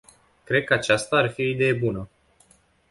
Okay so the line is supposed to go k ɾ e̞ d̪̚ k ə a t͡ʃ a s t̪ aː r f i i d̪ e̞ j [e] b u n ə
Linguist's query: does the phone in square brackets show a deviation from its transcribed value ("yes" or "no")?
no